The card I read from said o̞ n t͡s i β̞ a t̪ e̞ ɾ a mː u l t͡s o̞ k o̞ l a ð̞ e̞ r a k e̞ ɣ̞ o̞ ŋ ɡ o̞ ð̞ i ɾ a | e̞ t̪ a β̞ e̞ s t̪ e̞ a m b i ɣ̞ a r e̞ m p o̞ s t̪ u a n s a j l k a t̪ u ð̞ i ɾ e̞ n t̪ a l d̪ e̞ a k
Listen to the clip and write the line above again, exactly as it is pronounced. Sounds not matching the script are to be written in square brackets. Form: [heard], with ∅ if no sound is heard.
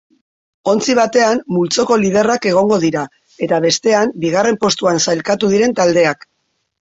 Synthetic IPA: o̞ n t͡s i β̞ a t̪ e̞ [∅] a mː u l t͡s o̞ k o̞ l [i] ð̞ e̞ r a k e̞ ɣ̞ o̞ ŋ ɡ o̞ ð̞ i ɾ a | e̞ t̪ a β̞ e̞ s t̪ e̞ a m b i ɣ̞ a r e̞ m p o̞ s t̪ u a n s a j l k a t̪ u ð̞ i ɾ e̞ n t̪ a l d̪ e̞ a k